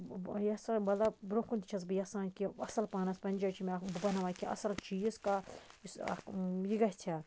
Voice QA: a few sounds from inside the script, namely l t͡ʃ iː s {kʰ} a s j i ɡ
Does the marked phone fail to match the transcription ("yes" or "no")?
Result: yes